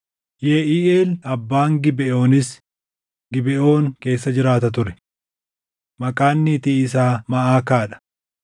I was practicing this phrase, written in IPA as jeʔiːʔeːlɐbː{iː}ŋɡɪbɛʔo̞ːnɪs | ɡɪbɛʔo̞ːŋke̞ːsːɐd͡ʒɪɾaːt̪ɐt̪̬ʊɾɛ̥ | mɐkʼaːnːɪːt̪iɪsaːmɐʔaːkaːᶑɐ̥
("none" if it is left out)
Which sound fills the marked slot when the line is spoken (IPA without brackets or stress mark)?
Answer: aː